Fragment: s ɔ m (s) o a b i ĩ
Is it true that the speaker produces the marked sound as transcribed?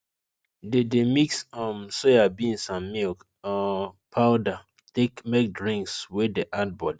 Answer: yes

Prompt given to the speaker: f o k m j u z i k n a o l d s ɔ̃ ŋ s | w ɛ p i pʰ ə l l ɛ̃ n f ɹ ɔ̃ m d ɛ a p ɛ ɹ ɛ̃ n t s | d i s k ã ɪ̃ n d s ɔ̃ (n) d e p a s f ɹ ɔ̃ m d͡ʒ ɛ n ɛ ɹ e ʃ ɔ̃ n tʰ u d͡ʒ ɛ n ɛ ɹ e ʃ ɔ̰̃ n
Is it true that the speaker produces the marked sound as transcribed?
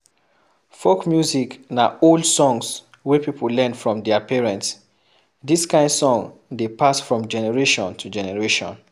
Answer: no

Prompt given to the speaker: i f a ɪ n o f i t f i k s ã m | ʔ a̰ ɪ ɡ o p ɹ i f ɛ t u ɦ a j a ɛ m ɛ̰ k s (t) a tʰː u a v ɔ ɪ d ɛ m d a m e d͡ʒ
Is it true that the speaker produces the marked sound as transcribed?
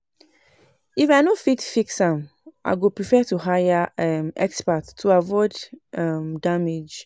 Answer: no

